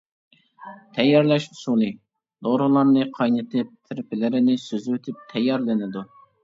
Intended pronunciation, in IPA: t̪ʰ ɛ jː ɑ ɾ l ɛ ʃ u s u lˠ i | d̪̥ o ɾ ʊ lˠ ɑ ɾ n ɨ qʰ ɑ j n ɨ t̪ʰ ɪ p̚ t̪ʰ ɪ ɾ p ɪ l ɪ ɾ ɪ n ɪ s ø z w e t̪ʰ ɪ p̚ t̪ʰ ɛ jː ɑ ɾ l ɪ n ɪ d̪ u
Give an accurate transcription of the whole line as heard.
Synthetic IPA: t̪ʰ ɛ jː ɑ ɾ l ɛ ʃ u s u lˠ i | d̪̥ o ɾ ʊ lˠ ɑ ɾ n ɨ qʰ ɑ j n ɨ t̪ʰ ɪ p̚ t̪ʰ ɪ ɾ p ɪ l ɪ ɾ ɪ n ɪ s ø z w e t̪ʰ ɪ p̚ t̪ʰ ɛ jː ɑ ɾ l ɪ n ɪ d̪ u